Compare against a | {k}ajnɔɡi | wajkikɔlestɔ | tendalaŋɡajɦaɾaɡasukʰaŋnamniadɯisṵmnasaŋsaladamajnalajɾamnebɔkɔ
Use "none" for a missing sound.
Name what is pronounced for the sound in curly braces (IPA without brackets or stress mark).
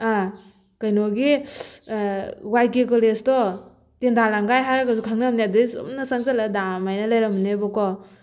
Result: k